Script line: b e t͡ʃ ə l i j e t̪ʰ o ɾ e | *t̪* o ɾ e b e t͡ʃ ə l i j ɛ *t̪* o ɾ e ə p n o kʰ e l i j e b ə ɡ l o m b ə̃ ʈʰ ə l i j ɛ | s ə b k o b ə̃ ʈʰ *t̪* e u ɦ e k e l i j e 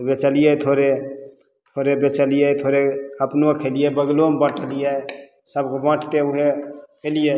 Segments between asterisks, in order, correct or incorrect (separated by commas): incorrect, incorrect, correct